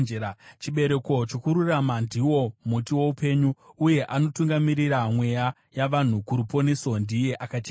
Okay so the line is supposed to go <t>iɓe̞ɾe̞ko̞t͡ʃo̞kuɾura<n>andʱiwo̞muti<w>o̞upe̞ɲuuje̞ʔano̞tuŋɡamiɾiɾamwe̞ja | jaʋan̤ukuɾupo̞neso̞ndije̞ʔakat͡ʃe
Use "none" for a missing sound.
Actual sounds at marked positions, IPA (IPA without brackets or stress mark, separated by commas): t͡ʃ, m, w